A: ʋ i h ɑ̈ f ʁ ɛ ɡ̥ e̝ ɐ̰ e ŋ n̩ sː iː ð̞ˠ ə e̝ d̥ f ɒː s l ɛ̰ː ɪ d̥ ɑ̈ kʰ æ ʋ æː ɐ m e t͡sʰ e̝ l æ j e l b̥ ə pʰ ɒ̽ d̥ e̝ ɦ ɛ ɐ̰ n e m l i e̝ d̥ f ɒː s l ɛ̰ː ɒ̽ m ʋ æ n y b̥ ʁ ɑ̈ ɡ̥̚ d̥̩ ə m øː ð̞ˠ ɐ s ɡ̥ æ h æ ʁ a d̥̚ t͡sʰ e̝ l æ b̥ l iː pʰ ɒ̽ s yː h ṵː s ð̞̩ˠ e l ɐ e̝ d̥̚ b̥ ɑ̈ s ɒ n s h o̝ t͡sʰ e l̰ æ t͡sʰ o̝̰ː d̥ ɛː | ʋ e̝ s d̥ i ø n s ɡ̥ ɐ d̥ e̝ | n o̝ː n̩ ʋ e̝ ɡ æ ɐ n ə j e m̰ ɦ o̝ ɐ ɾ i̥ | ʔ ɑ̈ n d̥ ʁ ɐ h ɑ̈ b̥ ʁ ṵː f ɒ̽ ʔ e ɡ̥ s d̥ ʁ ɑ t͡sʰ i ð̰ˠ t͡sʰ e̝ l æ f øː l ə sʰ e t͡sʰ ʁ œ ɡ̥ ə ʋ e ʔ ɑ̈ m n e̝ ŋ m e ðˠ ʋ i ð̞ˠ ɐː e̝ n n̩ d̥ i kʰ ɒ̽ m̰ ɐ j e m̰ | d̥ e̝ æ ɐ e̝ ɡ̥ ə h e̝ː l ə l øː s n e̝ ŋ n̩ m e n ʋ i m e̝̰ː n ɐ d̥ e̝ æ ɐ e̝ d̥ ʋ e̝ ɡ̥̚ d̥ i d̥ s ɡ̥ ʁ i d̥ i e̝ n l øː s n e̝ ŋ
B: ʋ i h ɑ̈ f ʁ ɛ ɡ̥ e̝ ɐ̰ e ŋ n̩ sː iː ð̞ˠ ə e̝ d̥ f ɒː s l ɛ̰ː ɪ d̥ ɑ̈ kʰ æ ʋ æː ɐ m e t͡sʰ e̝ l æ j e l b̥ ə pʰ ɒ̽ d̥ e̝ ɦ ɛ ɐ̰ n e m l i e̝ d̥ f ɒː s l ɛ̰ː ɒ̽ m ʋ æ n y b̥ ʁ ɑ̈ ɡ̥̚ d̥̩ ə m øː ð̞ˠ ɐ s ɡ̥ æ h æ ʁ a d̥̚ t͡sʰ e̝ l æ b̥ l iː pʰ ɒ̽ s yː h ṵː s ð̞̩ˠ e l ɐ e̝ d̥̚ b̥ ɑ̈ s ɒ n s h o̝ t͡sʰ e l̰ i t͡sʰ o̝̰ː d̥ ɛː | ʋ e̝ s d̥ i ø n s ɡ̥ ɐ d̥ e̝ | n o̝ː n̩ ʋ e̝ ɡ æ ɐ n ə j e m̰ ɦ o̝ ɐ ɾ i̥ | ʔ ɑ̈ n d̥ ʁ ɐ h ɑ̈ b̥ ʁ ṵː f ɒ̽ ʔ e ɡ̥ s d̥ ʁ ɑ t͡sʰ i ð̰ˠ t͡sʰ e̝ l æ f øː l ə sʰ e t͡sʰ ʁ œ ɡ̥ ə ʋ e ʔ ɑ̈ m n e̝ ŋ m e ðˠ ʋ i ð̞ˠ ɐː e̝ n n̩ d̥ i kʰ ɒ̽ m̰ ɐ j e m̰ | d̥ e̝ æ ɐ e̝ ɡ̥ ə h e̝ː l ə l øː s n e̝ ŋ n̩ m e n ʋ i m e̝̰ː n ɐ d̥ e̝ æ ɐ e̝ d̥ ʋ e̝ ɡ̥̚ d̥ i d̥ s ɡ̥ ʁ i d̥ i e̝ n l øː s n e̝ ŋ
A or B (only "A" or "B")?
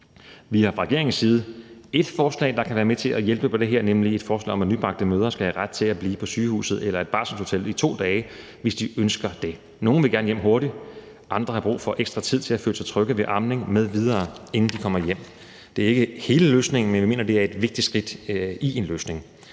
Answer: B